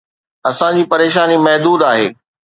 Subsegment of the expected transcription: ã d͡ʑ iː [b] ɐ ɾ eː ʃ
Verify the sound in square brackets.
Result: incorrect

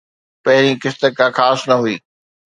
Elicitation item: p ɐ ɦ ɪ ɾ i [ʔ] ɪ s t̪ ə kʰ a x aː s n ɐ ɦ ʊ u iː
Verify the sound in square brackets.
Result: incorrect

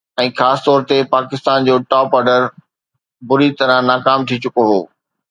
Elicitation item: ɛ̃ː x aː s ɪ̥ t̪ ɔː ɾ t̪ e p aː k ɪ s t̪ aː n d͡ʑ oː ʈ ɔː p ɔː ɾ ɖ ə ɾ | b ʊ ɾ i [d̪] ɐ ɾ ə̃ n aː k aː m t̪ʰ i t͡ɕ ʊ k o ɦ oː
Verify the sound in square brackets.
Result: incorrect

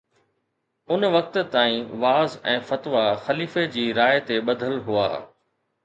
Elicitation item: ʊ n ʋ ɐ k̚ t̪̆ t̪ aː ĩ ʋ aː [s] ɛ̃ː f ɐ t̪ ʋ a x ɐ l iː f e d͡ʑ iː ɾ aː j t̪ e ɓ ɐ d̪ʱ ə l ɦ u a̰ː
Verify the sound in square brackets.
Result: incorrect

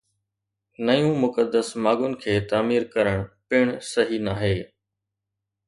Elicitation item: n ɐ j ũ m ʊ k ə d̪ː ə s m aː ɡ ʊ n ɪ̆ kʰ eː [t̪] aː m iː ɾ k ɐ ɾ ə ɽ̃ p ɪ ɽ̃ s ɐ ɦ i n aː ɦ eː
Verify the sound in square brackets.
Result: correct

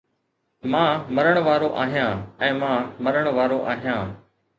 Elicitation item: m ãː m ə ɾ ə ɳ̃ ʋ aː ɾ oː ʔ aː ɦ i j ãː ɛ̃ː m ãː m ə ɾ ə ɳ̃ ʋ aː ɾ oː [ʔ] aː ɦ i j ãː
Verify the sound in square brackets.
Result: correct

